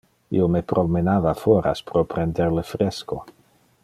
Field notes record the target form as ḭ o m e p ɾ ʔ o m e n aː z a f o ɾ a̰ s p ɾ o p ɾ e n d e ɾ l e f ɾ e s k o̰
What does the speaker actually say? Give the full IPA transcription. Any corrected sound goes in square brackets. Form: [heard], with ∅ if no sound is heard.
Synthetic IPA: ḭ o m e p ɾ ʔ o m e n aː [v] a f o ɾ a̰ s p ɾ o p ɾ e n d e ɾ l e f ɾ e s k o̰